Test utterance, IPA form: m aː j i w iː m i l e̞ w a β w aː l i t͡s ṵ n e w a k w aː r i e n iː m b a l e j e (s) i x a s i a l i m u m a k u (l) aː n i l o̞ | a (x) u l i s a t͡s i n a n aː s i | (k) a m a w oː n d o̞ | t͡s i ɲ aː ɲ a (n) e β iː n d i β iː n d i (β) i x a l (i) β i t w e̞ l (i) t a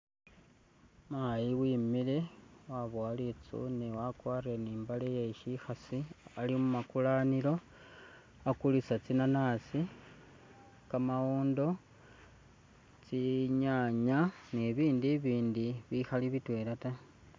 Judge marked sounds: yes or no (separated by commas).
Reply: no, yes, no, yes, yes, yes, yes, no